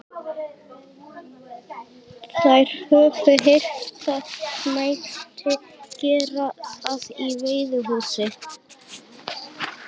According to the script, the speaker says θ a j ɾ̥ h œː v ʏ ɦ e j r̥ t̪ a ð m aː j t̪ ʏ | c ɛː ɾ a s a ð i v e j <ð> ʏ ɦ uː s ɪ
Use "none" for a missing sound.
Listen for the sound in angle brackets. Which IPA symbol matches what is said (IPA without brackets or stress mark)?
ð